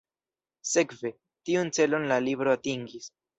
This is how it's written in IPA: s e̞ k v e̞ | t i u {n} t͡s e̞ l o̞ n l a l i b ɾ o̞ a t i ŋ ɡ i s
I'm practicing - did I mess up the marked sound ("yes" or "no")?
no